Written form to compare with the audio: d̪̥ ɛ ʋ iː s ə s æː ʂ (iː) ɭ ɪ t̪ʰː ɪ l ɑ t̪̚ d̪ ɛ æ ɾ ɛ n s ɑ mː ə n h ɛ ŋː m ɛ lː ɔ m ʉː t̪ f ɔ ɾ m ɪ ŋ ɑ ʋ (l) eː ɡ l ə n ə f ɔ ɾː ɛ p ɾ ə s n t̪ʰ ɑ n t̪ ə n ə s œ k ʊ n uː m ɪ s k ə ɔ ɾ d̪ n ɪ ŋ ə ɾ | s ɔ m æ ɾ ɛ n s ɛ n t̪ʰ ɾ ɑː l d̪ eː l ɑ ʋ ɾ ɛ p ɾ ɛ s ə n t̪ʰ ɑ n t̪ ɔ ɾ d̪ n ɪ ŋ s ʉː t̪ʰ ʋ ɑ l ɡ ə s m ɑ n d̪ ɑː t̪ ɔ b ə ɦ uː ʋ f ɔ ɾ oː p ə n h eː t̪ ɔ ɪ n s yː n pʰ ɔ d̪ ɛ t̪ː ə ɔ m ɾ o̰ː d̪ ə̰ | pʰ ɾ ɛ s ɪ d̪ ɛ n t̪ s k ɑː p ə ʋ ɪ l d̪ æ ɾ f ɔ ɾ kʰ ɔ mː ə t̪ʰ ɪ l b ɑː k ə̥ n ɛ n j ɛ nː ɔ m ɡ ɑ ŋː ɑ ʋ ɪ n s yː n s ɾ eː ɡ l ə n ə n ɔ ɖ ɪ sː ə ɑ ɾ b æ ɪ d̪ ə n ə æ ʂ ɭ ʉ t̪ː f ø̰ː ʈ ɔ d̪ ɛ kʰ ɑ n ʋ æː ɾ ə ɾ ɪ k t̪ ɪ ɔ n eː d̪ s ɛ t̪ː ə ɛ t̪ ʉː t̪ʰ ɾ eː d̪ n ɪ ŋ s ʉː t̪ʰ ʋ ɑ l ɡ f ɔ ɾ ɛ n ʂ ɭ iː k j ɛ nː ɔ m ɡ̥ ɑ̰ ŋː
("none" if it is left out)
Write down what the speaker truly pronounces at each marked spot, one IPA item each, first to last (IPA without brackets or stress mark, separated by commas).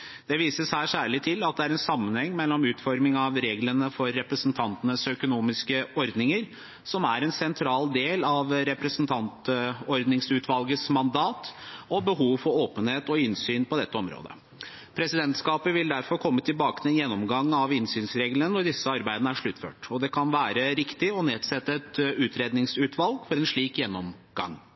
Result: æː, ɾ